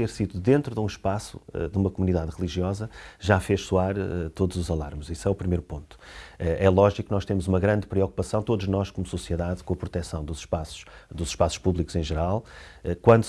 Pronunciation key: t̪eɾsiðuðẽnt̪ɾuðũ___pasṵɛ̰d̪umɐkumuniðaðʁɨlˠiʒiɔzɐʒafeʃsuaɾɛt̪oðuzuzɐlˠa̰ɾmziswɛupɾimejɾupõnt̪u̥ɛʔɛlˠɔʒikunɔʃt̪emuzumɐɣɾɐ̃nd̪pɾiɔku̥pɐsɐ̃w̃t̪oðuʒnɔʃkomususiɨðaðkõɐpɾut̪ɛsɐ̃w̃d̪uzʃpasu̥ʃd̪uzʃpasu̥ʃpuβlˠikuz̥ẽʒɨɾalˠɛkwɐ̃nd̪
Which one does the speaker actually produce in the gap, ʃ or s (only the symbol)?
ʃ